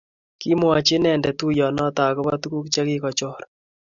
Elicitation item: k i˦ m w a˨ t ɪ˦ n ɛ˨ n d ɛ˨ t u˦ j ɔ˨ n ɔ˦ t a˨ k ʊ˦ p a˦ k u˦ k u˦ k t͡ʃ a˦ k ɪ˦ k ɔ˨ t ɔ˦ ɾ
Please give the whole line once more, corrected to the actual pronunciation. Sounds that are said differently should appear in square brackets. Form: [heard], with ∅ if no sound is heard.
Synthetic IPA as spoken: k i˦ m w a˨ [t͡ʃ] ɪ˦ n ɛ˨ n d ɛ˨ t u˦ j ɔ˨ n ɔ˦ t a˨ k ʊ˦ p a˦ [t] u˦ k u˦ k t͡ʃ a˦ k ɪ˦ k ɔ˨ [t͡ʃ] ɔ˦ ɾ